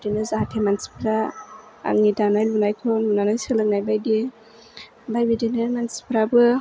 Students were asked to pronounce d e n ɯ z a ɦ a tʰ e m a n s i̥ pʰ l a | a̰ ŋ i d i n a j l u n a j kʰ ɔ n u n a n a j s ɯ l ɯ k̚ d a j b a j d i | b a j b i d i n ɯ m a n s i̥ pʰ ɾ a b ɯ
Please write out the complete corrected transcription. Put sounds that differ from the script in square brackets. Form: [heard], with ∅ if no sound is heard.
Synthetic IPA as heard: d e n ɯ z a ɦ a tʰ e m a n s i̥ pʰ [ɾ] a | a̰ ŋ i d [a] n a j l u n a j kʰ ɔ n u n a n a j s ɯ l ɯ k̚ [n] a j b a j d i | b a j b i d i n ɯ m a n s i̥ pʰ ɾ a b ɯ